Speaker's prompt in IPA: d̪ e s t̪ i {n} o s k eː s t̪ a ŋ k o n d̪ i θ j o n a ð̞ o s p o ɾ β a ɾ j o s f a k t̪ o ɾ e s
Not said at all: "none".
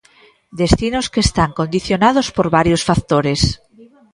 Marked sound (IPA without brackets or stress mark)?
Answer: n